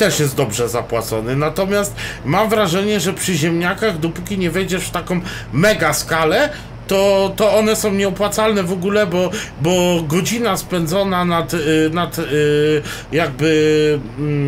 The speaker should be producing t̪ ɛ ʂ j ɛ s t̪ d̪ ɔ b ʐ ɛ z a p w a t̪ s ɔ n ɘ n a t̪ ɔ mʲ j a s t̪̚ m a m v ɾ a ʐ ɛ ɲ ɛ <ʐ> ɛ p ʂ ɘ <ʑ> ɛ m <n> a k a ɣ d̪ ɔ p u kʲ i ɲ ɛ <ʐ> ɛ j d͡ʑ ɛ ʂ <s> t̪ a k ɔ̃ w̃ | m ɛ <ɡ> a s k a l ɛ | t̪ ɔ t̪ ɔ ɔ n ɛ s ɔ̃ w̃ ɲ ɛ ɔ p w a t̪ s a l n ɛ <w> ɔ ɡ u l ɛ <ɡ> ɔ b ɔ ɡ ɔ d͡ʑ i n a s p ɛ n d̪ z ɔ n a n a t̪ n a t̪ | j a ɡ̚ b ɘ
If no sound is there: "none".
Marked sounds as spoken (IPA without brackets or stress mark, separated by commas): ʐ, ʑ, ɲ, v, f, ɡ, v, b